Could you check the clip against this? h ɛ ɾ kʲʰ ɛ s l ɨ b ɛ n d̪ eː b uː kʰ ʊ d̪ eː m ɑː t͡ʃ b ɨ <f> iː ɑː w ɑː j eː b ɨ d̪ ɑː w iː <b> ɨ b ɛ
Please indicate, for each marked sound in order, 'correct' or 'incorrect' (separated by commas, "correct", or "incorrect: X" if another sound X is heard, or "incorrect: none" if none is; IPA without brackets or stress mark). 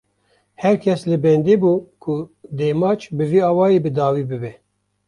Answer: incorrect: v, correct